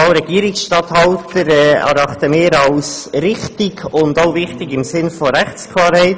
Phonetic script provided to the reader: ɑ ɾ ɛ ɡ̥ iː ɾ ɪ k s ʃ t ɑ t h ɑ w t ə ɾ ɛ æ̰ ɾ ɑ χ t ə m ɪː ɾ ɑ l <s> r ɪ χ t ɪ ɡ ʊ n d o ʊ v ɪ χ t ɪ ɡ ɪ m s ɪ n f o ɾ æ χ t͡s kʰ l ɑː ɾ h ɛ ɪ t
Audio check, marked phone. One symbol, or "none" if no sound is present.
s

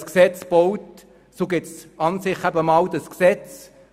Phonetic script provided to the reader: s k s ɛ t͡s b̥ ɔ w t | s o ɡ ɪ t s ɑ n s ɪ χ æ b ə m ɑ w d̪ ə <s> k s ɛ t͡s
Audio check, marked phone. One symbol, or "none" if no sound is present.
s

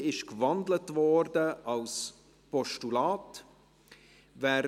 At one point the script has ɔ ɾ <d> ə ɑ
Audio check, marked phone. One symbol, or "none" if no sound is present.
d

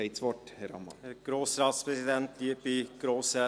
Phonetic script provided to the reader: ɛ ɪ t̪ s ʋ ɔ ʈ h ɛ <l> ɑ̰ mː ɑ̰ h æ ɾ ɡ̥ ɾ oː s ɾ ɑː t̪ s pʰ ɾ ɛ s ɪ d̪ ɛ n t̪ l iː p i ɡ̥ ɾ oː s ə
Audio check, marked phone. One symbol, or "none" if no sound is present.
ɾ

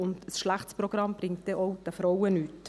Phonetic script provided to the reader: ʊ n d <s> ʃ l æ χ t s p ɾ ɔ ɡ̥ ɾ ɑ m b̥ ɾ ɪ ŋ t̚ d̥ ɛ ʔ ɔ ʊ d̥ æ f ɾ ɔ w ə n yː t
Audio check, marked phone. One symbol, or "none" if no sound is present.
s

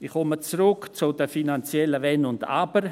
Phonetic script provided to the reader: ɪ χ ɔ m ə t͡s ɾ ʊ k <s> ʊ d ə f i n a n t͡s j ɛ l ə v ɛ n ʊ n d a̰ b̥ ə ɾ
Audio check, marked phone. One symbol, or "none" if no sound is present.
t͡s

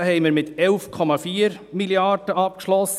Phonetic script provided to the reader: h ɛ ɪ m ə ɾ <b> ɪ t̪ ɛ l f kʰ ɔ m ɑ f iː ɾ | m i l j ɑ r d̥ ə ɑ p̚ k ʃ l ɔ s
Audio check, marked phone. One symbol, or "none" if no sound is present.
m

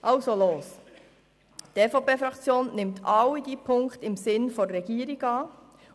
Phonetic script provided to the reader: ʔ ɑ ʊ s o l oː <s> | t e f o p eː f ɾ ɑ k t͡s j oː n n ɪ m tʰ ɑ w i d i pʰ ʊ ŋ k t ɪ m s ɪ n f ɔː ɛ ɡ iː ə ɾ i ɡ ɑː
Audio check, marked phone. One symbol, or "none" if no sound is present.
s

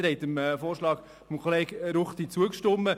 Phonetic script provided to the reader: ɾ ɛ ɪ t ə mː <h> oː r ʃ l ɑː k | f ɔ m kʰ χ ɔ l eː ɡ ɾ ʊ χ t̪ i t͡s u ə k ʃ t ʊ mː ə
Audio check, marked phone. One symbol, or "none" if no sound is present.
f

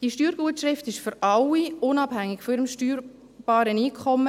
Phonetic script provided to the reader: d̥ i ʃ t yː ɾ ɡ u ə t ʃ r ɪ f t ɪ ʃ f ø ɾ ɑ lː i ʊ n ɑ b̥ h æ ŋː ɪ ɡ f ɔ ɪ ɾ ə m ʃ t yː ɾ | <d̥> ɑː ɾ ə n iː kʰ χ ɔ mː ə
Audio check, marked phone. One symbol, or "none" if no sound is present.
b̥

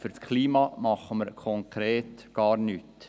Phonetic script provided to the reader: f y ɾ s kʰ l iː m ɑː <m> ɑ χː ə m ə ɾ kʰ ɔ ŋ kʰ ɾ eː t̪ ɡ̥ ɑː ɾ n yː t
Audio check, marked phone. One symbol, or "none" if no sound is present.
m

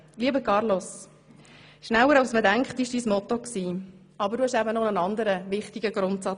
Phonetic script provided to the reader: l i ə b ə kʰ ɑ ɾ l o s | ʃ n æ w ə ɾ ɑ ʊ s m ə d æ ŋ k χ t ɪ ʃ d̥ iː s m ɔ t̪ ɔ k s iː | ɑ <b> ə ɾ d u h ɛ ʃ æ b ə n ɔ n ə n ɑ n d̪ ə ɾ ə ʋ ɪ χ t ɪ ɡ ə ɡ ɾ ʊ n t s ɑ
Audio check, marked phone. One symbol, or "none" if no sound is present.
b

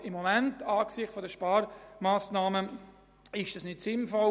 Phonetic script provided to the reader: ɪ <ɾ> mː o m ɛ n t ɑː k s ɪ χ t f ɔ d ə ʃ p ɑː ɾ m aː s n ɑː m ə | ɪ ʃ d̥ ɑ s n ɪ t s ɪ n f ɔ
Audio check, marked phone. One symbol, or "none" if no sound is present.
none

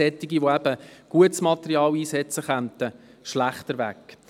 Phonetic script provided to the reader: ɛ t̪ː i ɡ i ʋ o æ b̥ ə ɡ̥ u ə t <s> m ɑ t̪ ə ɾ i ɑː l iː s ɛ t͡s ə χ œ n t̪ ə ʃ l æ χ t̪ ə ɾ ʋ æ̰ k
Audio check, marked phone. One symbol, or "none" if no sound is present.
s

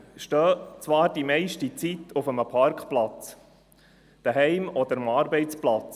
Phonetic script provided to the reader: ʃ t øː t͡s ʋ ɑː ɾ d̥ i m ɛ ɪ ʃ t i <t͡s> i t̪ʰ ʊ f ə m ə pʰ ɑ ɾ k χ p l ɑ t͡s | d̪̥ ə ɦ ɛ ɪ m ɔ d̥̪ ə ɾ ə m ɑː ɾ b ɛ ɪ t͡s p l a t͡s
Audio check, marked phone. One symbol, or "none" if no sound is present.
t͡s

